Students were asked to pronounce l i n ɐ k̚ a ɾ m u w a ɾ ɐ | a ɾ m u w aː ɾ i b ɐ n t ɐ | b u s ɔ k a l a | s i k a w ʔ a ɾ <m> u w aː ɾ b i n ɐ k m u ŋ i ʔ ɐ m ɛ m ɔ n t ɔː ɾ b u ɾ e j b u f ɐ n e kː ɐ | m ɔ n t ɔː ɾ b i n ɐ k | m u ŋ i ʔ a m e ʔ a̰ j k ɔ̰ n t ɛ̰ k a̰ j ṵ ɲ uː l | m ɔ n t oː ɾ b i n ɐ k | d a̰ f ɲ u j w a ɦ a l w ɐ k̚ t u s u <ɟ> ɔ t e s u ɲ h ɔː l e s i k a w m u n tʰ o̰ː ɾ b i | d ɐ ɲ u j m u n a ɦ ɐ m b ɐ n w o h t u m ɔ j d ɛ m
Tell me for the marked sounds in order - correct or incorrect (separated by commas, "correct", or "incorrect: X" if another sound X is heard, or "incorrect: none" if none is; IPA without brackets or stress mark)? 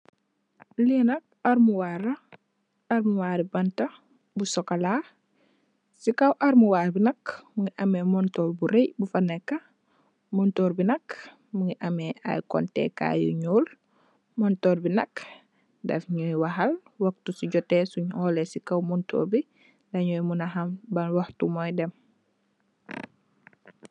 correct, correct